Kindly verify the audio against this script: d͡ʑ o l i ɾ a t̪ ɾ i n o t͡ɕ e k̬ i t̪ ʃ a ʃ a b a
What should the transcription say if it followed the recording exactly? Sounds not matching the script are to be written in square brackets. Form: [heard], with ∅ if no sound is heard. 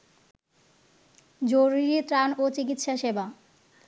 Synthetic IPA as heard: d͡ʑ o [ɾ] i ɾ [i] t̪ ɾ [a] n o t͡ɕ [i] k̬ i t̪ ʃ a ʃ [e] b a